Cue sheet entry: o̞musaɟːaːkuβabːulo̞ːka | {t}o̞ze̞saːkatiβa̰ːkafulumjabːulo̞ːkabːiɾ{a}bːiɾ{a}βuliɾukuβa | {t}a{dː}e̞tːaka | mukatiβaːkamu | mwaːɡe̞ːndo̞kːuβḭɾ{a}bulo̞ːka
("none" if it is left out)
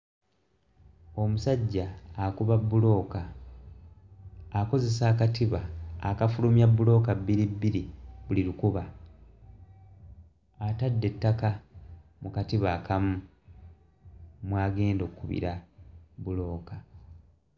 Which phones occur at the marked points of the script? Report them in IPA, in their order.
k, i, i, t, dː, a

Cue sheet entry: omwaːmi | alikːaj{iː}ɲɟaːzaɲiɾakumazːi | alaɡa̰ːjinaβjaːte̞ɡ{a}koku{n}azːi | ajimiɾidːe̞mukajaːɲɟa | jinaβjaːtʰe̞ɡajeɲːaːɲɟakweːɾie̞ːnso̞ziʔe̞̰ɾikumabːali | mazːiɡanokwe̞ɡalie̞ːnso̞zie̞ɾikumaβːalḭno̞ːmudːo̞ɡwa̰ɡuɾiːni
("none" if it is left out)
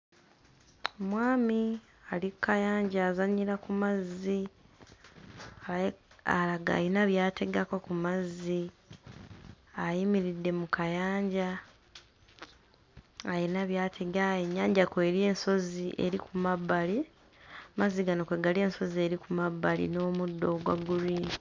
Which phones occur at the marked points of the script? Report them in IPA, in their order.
aː, a, m

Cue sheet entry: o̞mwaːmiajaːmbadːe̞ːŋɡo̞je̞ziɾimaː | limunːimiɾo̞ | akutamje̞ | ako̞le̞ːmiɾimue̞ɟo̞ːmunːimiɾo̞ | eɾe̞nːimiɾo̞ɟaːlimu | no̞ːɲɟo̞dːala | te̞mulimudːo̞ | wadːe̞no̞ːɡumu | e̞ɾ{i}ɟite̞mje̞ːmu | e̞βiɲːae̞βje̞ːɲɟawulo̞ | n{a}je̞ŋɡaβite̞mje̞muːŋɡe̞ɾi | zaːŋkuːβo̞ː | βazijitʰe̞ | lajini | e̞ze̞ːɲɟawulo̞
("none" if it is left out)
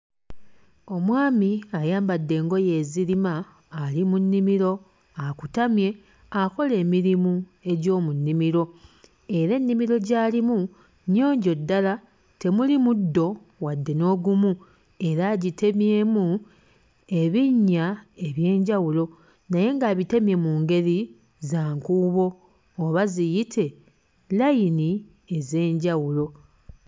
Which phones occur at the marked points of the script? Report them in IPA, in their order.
a, a

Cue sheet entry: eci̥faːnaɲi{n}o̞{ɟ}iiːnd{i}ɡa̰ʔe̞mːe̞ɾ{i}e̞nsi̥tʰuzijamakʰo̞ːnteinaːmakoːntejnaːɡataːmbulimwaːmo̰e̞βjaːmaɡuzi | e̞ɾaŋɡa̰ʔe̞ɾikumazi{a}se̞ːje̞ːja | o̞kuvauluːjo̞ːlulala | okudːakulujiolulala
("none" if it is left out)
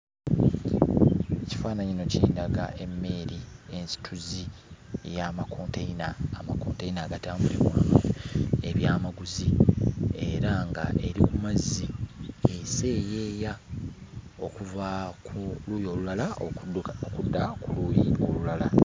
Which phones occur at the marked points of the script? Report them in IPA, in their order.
n, c, a, i, e

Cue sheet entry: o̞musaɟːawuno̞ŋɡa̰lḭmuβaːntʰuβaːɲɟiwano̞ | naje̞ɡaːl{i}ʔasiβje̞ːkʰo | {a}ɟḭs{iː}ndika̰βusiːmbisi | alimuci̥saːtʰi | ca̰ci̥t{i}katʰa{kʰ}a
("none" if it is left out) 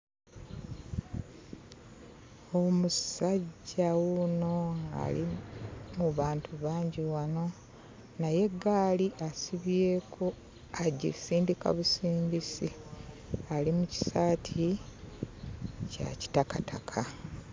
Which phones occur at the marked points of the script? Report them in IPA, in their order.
i, a, iː, a, kʰ

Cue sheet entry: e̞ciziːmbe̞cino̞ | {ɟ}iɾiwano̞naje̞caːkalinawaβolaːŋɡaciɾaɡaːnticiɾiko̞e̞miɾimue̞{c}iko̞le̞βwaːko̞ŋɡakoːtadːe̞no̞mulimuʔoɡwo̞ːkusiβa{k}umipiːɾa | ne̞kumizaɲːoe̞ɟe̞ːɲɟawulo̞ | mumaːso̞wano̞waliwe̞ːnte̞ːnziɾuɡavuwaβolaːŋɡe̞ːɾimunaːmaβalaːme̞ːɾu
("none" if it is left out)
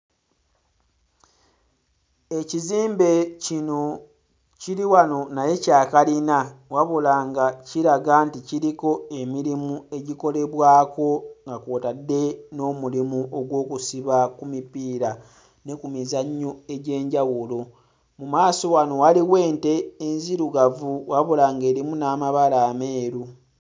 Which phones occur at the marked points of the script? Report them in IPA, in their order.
c, ɟ, k

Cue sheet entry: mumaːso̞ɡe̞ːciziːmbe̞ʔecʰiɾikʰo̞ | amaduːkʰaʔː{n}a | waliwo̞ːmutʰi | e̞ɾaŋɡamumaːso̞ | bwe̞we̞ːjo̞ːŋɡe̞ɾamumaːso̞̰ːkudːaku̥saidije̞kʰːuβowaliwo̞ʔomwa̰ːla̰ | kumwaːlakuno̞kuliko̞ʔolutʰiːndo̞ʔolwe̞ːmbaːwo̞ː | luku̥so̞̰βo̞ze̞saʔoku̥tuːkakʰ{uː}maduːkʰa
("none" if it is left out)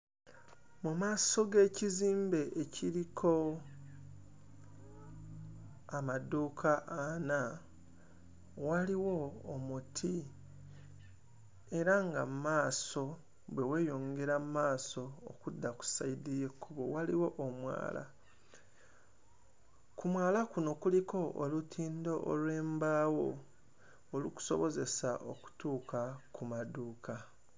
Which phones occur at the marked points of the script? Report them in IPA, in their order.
n, u

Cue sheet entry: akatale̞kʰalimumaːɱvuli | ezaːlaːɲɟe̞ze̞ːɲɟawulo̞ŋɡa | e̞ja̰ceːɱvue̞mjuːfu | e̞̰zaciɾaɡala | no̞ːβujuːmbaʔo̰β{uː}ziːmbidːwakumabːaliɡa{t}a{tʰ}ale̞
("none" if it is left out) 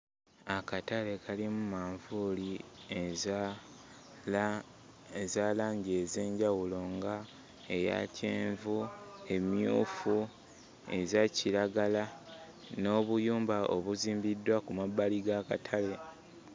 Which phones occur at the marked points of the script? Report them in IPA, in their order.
u, k, tʰ

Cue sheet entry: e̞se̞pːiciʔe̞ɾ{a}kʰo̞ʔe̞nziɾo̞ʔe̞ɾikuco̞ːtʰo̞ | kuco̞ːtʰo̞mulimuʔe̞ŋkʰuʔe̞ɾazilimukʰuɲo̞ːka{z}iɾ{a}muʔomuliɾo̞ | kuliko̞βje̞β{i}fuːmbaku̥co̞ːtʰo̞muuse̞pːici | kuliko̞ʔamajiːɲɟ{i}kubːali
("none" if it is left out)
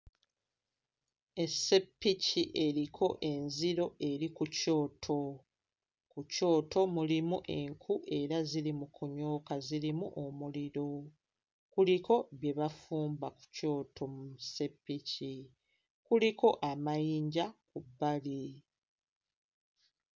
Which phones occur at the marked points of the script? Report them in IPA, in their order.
i, z, i, a, a

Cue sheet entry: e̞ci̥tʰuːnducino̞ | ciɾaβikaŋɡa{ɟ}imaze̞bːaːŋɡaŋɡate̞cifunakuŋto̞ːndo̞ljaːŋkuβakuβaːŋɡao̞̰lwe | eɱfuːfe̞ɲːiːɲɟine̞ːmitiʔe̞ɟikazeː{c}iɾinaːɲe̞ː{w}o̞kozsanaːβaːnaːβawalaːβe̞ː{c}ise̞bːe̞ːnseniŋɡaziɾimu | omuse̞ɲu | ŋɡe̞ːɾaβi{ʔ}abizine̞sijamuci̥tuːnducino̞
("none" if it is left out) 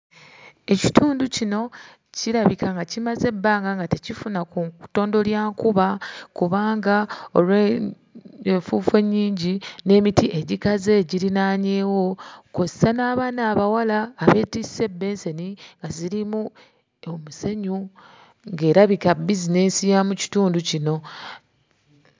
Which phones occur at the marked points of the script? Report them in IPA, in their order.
c, ɟ, w, t, k

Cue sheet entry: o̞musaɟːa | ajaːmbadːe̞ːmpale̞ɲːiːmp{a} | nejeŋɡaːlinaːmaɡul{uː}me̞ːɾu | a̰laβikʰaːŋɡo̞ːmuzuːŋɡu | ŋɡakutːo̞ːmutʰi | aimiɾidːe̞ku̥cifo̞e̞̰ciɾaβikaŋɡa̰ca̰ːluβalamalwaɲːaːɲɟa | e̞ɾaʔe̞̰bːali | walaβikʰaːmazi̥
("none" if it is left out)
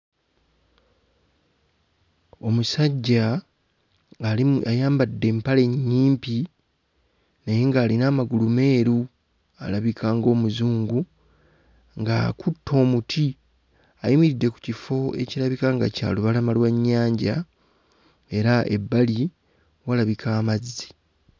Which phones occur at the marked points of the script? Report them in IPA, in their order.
i, u

